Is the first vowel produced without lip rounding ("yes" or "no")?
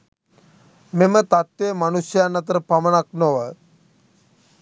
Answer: yes